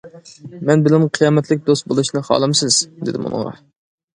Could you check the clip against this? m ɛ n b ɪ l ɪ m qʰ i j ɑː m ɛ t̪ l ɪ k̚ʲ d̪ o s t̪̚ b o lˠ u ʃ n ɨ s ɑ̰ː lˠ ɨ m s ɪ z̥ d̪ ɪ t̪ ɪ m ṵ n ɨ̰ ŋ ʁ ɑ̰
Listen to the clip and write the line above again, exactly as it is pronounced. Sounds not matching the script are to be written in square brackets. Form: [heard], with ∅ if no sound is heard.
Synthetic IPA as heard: m ɛ n b ɪ l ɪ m qʰ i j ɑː m ɛ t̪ l ɪ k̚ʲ d̪ o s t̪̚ b o lˠ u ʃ n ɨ [χ] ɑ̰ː lˠ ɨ m s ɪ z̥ d̪ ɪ [d̪] ɪ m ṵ n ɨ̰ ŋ ʁ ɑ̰

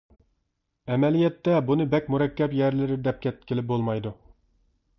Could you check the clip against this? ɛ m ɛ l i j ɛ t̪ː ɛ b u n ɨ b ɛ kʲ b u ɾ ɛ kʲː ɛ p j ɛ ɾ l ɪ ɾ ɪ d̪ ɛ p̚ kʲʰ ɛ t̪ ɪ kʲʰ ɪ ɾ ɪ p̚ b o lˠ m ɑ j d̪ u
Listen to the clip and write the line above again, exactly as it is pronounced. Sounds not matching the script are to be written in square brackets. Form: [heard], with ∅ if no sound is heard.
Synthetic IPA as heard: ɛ m ɛ l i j ɛ t̪ː ɛ b u n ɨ b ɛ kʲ [m] u ɾ ɛ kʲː ɛ p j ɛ ɾ l ɪ ɾ ɪ d̪ ɛ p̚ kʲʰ ɛ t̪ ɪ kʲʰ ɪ [l] ɪ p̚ b o lˠ m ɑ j d̪ u

